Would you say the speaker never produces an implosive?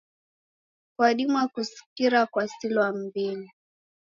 no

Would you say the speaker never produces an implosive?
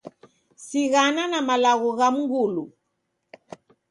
yes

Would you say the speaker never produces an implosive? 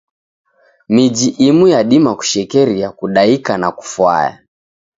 no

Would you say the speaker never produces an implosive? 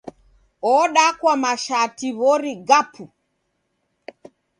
no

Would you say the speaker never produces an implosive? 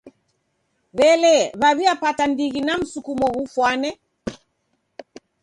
yes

